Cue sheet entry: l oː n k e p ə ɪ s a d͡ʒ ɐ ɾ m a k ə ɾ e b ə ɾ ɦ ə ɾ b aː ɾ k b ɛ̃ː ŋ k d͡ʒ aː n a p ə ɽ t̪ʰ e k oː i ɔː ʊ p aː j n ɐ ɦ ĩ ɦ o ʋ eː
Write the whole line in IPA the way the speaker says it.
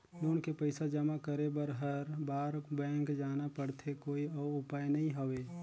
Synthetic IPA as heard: l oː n k e p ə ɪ s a d͡ʒ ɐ m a k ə ɾ e b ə ɾ ɦ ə ɾ b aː ɾ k b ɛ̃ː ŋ k d͡ʒ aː n a p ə ɽ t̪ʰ e k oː i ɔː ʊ p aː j n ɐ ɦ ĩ ɦ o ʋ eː

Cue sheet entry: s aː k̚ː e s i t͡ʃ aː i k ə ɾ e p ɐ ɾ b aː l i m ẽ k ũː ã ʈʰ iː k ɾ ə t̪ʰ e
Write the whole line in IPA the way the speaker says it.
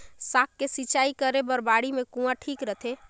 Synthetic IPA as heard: s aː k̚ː e s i t͡ʃ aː i k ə ɾ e b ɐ ɾ b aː ɽ i m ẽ k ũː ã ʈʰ iː k ɾ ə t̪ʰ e

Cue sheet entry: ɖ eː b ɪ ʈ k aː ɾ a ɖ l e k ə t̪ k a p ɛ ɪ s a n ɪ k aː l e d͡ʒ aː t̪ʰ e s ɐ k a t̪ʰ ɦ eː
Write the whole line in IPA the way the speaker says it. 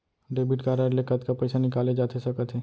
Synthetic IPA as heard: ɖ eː b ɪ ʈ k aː ɾ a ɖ l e k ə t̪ k a p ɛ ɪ s a n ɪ k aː l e d͡ʒ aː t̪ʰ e s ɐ k ə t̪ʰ ɦ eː

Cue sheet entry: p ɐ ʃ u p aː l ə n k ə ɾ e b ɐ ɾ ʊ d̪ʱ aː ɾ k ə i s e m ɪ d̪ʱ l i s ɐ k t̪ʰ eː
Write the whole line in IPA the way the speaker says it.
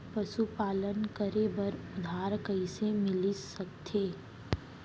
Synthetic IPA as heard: p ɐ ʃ u p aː l ə n k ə ɾ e b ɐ ɾ ʊ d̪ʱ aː ɾ k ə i s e m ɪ l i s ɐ k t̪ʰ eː

